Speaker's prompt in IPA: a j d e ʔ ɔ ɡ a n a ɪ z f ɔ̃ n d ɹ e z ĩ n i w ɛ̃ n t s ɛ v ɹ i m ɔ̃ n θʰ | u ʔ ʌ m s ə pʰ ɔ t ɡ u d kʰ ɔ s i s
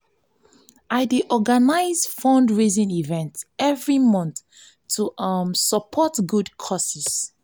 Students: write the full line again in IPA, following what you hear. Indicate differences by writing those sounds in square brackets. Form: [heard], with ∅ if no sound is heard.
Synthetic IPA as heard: a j d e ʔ ɔ ɡ a n a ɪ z f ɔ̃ n d ɹ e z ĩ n i [v] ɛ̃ n t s ɛ v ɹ i m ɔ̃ n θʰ | u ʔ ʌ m s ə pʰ ɔ t ɡ u d kʰ ɔ s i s